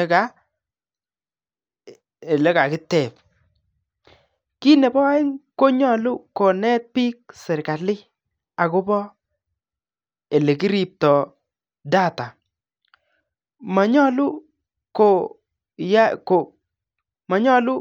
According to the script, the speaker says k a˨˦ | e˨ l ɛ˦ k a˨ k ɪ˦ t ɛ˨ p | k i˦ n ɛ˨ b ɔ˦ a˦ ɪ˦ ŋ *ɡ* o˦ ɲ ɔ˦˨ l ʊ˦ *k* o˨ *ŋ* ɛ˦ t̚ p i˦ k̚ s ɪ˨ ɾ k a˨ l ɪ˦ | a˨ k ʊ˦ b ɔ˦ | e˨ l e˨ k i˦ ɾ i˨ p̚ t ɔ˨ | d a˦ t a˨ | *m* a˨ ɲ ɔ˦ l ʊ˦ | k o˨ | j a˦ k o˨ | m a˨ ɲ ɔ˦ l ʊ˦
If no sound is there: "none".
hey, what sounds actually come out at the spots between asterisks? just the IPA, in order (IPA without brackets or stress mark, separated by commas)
k, k, n, m